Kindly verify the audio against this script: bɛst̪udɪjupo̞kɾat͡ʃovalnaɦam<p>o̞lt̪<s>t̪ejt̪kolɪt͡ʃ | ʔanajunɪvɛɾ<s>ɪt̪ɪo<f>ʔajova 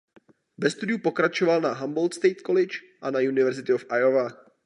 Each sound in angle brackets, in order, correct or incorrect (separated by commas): incorrect, correct, incorrect, correct